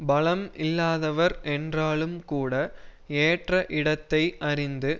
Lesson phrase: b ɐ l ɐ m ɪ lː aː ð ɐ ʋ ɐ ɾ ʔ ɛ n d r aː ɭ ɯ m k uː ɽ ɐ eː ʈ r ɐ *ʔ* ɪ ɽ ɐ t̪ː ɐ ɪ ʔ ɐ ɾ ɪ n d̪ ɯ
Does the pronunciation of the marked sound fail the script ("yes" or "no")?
no